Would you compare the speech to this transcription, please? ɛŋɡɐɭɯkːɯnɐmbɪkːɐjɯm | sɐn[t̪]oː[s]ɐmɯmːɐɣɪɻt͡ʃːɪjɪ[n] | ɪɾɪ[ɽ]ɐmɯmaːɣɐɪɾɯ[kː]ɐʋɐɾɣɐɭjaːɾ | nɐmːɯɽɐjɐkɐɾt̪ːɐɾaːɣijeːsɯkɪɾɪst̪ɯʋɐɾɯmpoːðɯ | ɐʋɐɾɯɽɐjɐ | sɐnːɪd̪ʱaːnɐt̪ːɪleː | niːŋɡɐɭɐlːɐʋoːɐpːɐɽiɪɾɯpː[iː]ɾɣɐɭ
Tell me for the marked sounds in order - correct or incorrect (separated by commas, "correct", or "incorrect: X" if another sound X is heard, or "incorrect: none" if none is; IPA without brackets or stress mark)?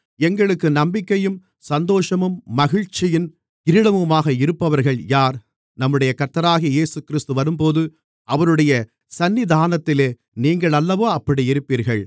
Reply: incorrect: d̪, incorrect: ʂ, correct, correct, incorrect: pː, correct